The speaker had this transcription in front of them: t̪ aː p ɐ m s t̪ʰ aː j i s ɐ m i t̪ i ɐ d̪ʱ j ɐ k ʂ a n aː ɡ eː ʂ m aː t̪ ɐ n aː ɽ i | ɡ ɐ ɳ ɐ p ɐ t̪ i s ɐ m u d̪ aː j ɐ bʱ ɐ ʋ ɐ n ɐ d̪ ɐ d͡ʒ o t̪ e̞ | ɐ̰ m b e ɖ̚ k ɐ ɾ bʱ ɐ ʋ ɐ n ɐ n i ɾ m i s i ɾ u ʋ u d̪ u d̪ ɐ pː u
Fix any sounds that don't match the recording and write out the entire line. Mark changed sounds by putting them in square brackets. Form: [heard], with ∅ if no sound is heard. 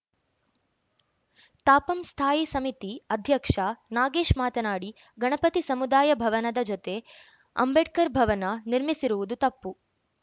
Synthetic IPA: t̪ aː p ɐ m s t̪ʰ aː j i s ɐ m i t̪ i ɐ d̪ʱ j ɐ k ʂ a n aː ɡ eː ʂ m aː t̪ ɐ n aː ɽ i | ɡ ɐ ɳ ɐ p ɐ t̪ i s ɐ m u d̪ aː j ɐ bʱ ɐ ʋ ɐ n ɐ d̪ ɐ d͡ʒ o t̪ e̞ | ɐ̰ m b e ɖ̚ k ɐ ɾ bʱ ɐ ʋ ɐ n ɐ n i ɾ m i s i ɾ u ʋ u d̪ u [t̪] ɐ pː u